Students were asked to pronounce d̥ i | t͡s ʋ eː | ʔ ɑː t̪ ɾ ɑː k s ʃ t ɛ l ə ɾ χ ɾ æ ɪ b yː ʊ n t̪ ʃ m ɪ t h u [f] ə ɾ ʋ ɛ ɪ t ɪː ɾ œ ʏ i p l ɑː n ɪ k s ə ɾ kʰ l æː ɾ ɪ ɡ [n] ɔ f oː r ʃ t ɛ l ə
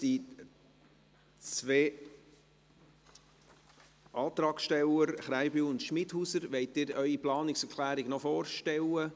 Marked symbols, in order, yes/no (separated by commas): no, yes